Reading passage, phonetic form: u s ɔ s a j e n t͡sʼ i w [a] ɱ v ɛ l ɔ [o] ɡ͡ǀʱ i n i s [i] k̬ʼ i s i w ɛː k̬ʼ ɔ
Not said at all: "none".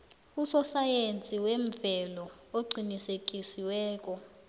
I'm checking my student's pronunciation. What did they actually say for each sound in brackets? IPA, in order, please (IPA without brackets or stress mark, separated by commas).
e, o, e